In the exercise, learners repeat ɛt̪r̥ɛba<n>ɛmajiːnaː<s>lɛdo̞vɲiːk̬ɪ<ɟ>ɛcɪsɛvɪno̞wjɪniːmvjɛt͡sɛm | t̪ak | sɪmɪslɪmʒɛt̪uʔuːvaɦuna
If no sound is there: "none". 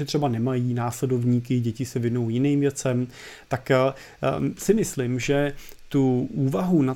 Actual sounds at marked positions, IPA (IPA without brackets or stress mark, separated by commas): n, s, ɟ